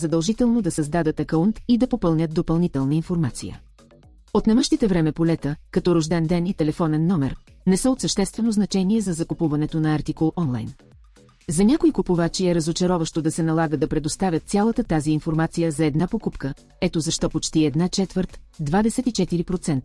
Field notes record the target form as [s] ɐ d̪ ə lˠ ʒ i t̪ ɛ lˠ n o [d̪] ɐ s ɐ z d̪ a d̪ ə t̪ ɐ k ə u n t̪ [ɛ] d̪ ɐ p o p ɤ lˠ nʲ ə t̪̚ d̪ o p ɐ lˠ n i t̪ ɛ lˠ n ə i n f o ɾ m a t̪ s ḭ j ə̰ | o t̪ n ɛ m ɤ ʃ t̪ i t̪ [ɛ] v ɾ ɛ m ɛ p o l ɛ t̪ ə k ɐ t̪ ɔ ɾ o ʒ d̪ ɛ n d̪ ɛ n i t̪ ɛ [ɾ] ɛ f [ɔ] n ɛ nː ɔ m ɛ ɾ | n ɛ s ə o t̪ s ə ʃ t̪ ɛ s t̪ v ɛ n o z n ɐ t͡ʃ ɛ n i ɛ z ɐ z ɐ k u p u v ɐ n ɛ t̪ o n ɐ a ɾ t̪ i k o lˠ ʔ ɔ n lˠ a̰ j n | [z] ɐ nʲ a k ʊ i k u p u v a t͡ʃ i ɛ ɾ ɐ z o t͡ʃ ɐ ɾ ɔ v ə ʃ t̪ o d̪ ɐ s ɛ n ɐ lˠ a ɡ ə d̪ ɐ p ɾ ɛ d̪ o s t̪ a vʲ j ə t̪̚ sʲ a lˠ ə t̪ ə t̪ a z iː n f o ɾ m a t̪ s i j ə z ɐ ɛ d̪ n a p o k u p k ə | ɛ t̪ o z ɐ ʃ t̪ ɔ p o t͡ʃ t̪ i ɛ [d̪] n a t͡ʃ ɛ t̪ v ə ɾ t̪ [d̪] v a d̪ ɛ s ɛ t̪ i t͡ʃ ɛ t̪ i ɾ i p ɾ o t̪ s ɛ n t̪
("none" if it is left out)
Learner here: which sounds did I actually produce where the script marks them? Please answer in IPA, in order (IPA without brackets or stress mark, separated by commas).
z, d̪, i, ɛ, l, ɔ, z, d̪, d̪